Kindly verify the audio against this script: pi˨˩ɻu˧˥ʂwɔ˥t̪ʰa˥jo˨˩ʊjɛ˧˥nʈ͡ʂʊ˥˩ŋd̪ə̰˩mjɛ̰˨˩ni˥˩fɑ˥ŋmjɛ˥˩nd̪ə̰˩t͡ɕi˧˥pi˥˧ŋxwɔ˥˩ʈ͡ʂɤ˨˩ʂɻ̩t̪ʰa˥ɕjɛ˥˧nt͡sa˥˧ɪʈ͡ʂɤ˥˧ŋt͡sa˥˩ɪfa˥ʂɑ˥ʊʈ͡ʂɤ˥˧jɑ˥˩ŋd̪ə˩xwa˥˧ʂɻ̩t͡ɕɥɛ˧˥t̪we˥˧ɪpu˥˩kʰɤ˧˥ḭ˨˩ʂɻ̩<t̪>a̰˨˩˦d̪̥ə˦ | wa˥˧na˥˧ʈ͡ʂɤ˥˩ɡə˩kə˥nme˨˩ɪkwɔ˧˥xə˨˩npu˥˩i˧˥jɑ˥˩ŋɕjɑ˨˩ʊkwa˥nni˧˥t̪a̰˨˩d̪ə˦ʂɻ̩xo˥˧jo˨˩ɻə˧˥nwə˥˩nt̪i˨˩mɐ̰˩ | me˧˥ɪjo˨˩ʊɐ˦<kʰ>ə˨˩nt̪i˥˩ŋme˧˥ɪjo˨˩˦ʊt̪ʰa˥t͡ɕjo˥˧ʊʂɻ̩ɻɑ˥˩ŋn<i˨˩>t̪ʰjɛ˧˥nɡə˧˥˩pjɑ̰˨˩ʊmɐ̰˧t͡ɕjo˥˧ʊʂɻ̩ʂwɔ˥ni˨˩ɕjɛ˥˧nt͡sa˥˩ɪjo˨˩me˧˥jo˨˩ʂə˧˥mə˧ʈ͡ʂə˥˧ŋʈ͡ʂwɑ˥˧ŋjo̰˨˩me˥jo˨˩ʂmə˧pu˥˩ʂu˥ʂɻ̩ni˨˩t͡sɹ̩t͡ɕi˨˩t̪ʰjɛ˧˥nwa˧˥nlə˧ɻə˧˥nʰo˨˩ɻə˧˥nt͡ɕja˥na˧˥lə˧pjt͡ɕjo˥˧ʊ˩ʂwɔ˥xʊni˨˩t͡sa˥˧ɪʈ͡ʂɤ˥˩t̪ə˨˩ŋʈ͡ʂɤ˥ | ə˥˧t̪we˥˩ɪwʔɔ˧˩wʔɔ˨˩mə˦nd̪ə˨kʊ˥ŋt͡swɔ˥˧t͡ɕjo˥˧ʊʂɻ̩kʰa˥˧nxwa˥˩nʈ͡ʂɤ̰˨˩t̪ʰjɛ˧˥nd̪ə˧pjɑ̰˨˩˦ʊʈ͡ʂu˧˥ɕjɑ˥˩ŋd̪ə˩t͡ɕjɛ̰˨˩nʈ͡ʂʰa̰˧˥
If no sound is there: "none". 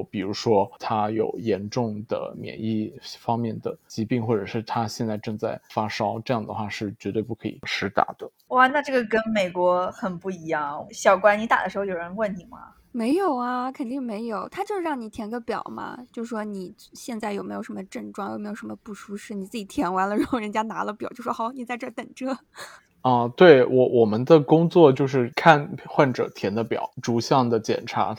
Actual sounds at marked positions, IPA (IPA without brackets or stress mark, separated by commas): t̪, kʰ, i˨˩